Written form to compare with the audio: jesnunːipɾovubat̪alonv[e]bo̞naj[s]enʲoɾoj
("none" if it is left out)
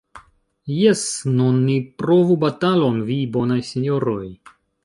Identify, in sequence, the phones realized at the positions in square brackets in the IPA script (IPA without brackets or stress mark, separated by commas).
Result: i, s